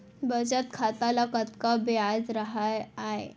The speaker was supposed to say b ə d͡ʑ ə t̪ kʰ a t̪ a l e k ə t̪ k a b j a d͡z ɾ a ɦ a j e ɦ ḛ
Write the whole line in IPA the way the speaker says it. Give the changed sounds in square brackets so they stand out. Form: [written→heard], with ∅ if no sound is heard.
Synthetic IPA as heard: b ə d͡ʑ ə t̪ kʰ a t̪ a l [e→a] k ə t̪ k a b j a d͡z ɾ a ɦ a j [e→a] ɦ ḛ